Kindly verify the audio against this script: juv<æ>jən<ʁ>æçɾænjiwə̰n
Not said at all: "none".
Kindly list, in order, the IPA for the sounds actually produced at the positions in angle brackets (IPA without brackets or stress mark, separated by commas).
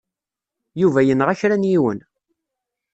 æ, ʁ